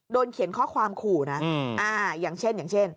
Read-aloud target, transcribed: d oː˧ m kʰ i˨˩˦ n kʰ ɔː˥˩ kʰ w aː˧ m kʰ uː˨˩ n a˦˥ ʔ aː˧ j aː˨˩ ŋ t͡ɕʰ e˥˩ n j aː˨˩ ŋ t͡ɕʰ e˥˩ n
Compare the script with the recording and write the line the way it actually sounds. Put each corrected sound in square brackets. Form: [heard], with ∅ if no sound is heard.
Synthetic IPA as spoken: d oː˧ [n] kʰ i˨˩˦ n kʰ ɔː˥˩ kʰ w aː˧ m kʰ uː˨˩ n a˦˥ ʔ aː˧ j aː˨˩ ŋ t͡ɕʰ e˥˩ n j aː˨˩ ŋ t͡ɕʰ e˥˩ n